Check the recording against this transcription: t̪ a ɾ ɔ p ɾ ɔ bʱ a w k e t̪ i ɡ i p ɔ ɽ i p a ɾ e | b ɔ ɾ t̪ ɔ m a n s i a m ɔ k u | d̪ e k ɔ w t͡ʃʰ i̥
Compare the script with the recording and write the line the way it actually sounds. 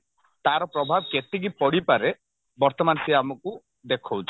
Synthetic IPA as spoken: t̪ a ɾ ɔ p ɾ ɔ bʱ a b k e t̪ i ɡ i p ɔ ɽ i p a ɾ e | b ɔ ɾ t̪ ɔ m a n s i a m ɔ k u | d̪ e kʰ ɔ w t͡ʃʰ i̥